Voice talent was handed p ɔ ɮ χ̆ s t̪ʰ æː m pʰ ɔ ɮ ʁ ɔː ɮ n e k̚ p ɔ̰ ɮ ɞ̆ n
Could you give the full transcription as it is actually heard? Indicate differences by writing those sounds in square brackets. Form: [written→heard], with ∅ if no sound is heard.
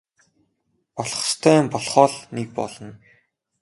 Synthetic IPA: p ɔ ɮ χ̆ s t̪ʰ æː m [pʰ→p] ɔ ɮ [ʁ→χ] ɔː ɮ n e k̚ p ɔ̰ ɮ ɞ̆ n